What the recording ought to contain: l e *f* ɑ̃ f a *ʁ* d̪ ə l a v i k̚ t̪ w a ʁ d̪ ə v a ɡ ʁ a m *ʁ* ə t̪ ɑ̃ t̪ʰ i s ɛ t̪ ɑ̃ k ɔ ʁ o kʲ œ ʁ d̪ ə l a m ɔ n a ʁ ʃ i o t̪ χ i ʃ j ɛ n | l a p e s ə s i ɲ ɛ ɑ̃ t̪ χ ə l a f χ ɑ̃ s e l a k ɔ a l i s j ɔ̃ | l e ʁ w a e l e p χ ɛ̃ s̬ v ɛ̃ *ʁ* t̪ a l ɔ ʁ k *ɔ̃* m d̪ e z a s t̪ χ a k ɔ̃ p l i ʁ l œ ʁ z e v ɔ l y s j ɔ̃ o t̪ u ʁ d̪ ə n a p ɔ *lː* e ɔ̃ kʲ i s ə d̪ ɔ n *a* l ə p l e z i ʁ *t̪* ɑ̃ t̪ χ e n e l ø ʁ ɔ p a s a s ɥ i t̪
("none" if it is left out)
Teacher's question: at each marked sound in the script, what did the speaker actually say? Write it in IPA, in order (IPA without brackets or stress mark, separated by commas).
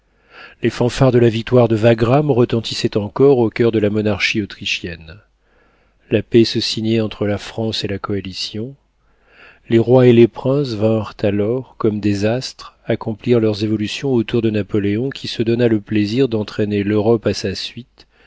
f, ʁ, ʁ, ʁ, ɔ, l, a, d̪